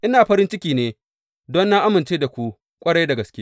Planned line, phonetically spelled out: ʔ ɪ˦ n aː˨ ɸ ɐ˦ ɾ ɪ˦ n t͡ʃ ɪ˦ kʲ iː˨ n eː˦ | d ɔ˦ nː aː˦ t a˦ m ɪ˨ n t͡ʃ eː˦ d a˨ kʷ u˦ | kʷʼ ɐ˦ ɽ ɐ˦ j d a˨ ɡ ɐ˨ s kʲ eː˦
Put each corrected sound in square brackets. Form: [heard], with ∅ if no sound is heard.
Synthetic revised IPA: ʔ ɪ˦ n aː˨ ɸ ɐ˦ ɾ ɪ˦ n t͡ʃ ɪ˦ kʲ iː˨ n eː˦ | d ɔ˦ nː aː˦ [ʔ] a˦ m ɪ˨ n t͡ʃ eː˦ d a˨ kʷ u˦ | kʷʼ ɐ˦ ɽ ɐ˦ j d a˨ ɡ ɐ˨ s kʲ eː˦